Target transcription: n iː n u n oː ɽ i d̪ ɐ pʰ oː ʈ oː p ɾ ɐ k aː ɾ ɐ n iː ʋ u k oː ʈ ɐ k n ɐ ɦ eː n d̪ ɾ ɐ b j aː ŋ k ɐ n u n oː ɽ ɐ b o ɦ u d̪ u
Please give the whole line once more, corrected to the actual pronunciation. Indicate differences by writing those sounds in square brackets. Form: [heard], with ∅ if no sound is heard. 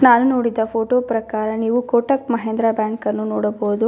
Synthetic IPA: n [aː] n u n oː ɽ i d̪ ɐ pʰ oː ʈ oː p ɾ ɐ k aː ɾ ɐ n iː ʋ u k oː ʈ ɐ k [m] ɐ ɦ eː n d̪ ɾ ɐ b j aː ŋ k ɐ [nː] u n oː ɽ ɐ b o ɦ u d̪ u